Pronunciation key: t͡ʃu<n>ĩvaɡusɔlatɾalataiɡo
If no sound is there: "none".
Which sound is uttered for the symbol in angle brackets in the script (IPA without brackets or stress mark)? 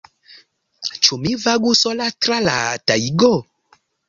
m